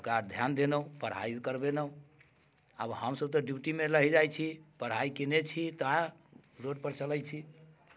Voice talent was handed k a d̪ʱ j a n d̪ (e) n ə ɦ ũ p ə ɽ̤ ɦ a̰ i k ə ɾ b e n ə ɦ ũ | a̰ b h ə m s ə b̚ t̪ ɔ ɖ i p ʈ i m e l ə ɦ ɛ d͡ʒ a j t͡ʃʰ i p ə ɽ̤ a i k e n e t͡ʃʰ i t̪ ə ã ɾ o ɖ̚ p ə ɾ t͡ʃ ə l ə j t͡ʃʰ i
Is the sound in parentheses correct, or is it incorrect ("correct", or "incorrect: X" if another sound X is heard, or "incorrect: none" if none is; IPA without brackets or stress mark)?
correct